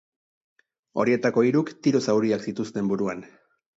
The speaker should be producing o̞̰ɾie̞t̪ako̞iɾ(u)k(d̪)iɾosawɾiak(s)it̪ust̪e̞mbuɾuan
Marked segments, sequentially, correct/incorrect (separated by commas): correct, incorrect, correct